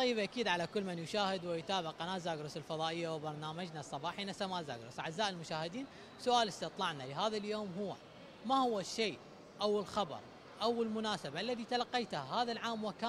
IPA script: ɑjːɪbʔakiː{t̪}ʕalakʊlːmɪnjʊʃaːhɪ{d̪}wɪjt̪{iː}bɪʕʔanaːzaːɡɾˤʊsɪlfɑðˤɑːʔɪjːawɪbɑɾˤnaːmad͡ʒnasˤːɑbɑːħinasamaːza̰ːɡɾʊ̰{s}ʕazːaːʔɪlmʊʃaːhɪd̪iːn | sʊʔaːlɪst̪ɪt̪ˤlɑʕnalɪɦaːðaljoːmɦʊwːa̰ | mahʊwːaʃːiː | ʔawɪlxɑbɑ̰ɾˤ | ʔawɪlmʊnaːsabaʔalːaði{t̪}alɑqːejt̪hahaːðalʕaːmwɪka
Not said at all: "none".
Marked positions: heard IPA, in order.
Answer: d̪, d̪, aː, s, t̪

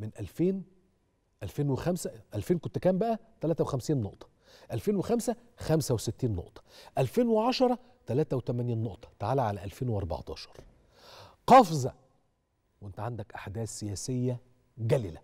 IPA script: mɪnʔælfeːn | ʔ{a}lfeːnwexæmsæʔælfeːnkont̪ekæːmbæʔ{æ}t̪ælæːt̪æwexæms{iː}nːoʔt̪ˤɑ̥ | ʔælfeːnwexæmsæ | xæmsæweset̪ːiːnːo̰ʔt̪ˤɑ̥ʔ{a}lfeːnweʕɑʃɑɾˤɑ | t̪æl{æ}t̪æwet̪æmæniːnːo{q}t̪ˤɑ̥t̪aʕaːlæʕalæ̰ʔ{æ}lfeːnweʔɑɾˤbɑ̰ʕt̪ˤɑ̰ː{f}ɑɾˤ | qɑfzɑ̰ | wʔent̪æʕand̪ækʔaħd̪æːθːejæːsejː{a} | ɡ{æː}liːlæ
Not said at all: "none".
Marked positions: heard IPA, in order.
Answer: æ, æ, iː, æ, æː, ʔ, æ, ʃ, æ, æ

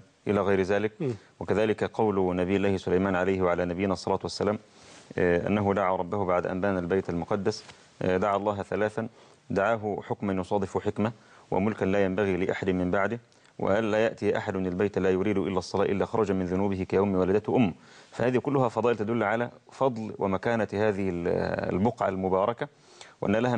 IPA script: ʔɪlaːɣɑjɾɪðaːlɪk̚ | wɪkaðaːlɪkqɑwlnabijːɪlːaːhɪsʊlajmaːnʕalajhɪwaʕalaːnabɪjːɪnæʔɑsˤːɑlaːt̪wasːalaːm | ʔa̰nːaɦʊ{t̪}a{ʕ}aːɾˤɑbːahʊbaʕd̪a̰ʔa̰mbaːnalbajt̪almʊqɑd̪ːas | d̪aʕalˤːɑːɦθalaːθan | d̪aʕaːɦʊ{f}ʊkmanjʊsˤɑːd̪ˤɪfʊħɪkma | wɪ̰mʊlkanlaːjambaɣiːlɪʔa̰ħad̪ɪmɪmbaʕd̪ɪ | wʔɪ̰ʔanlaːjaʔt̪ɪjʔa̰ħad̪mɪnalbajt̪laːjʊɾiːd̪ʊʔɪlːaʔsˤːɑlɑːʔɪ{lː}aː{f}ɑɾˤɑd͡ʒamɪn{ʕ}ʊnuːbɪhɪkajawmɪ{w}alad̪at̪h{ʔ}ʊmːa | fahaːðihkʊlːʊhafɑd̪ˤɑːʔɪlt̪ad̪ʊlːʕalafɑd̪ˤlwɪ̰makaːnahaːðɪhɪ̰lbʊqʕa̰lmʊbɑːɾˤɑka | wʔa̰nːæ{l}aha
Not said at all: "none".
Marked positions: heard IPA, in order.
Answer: d̪, ʕ, ħ, lː, x, ð, w, ʔ, l

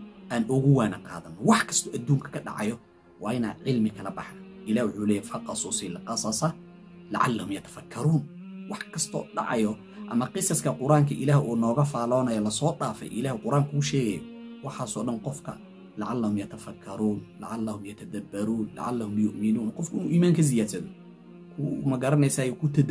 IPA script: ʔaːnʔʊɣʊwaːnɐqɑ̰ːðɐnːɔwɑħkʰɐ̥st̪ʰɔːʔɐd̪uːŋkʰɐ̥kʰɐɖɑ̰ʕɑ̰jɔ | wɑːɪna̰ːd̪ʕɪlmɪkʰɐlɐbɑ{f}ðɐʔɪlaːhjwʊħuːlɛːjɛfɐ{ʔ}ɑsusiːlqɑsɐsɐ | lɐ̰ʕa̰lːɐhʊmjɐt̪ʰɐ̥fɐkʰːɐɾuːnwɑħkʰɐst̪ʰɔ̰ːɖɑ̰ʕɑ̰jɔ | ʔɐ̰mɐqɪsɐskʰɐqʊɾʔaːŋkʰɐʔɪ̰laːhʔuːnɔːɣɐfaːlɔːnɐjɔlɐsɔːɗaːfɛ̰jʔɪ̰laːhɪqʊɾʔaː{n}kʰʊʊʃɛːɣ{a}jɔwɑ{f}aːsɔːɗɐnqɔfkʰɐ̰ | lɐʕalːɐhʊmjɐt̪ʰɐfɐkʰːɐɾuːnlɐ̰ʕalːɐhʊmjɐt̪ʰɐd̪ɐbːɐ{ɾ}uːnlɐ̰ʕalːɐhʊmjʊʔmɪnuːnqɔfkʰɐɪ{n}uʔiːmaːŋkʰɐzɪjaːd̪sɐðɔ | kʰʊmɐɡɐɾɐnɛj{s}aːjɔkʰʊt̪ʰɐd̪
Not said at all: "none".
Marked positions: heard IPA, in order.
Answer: ħ, q, ŋ, ɛ, ħ, ɾ, n, s

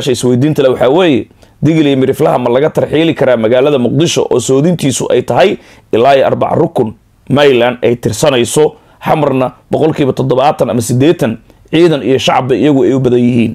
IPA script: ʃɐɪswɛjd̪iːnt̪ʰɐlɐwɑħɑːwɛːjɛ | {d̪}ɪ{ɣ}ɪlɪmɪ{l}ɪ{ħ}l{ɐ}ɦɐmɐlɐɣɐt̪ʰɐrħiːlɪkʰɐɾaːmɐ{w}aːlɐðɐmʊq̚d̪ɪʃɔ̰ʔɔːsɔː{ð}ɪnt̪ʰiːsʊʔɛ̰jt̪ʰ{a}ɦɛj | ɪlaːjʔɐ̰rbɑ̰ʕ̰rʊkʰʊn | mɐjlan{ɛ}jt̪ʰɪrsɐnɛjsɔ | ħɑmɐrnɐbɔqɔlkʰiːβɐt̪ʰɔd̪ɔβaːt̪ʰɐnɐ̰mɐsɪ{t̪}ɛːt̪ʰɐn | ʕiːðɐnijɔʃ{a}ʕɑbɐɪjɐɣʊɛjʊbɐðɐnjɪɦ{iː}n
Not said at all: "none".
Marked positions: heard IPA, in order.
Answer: d̪, ɣ, ɾ, f, ɐ, ɣ, ð, ɐ, ɛ, d̪, ɑ, iː

